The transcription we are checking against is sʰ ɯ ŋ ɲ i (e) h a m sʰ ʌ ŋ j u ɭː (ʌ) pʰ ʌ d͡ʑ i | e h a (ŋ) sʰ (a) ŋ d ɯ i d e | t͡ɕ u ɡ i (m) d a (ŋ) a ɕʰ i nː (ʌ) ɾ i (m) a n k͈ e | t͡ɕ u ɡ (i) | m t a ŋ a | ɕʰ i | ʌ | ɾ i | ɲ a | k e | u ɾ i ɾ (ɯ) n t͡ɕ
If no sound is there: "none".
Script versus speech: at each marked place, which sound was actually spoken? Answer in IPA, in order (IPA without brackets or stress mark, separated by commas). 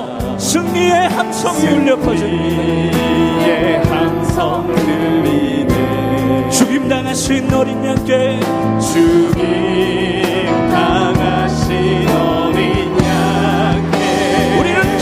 e, ʌ, n, ʌ, m, ŋ, ʌ, ɲ, i, ɯ